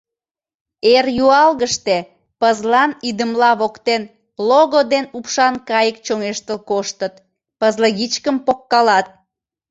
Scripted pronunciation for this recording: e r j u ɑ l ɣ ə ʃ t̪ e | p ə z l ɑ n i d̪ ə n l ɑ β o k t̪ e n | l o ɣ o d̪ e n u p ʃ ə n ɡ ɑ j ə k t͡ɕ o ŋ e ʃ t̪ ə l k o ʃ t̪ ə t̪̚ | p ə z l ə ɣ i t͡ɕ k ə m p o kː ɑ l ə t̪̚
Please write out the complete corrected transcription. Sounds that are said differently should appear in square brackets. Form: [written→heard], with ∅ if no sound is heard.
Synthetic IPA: e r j u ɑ l ɣ ə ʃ t̪ e | p ə z l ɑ n i d̪ ə [n→m] l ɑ β o k t̪ e n | l o ɣ o d̪ e n u p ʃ [ə→ɑ] n [ɡ→k] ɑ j ə k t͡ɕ o ŋ e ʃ t̪ ə l k o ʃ t̪ ə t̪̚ | p ə z l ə ɣ i t͡ɕ k ə m p o kː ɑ l [ə→ɑ] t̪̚